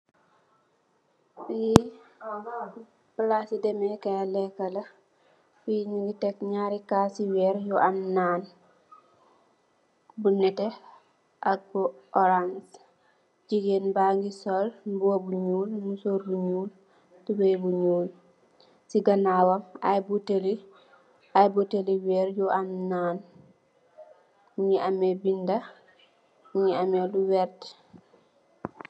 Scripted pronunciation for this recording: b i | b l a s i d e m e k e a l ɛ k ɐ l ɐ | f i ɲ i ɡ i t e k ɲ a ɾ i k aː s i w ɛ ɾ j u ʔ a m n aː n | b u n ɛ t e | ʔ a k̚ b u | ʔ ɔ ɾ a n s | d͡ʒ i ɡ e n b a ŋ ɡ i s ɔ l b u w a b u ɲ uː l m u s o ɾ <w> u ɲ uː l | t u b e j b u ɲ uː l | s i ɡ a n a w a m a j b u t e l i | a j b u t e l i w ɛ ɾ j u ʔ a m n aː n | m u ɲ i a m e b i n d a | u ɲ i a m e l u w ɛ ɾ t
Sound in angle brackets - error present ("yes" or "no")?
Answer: yes